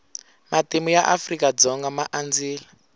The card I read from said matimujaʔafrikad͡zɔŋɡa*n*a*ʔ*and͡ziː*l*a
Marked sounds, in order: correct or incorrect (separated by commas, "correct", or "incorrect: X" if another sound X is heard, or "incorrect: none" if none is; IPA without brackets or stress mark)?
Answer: incorrect: m, correct, correct